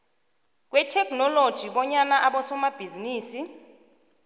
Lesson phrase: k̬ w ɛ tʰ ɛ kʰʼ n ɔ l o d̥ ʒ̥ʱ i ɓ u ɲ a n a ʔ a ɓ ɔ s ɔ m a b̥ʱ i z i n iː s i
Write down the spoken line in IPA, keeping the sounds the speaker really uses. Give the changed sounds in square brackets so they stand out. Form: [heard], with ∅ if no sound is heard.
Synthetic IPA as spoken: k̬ w ɛ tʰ ɛ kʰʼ n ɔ l o d̥ ʒ̥ʱ i ɓ [ɔ] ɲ a n a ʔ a ɓ ɔ s ɔ m a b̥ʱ i z i n iː s i